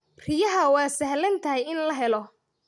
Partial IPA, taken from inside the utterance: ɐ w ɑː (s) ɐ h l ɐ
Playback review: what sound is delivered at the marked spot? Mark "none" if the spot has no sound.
s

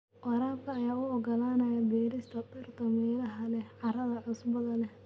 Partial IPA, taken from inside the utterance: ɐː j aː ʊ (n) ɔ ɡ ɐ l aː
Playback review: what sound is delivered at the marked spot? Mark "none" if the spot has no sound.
none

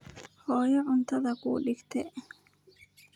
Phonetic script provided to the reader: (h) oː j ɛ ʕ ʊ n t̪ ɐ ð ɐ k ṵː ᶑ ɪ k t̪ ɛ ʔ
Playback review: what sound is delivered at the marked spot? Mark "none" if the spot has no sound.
h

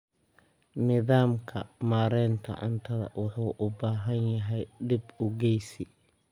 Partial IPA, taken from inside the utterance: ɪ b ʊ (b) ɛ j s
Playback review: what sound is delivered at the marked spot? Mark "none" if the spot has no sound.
ɡ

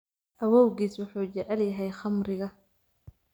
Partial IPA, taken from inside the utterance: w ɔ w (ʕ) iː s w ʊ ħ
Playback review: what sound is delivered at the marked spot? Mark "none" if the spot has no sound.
ɣ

